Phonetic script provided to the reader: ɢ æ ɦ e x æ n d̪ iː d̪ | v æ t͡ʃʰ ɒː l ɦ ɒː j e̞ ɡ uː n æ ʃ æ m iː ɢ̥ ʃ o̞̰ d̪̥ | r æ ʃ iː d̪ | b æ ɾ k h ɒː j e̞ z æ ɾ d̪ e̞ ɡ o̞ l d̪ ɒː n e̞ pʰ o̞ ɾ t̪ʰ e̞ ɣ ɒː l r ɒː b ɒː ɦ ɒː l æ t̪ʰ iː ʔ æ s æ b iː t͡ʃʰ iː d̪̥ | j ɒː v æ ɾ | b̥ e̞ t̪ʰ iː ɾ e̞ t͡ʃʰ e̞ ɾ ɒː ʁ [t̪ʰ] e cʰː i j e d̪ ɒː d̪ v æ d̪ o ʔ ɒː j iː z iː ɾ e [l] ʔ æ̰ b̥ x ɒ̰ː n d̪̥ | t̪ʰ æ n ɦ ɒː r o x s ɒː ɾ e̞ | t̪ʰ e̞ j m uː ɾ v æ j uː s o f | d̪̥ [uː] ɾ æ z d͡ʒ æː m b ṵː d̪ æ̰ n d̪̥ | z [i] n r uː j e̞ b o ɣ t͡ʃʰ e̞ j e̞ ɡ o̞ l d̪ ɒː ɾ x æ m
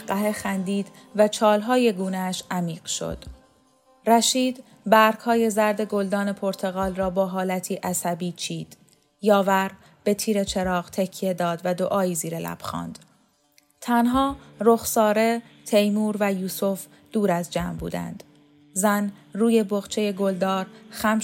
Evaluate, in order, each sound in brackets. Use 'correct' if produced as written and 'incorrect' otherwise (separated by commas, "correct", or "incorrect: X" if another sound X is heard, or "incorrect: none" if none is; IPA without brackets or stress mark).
correct, correct, correct, incorrect: æ